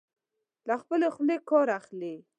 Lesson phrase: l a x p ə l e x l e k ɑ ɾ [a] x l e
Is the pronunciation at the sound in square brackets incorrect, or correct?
correct